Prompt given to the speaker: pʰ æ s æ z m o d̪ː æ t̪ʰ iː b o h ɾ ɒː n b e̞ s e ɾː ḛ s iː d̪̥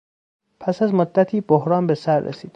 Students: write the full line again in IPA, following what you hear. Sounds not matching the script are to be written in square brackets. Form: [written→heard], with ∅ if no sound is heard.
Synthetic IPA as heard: pʰ æ s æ z m o d̪ː æ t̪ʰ iː b o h ɾ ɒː n b e̞ s [e→æ] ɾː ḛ s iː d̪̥